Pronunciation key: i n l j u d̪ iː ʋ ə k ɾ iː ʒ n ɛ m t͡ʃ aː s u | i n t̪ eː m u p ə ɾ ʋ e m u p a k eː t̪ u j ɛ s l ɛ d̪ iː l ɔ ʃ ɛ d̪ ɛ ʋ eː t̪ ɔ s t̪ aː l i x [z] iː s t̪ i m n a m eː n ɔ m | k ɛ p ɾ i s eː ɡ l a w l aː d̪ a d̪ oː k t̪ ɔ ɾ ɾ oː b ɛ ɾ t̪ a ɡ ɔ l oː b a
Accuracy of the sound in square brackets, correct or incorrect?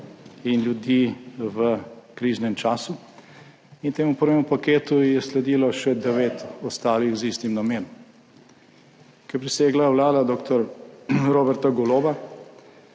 correct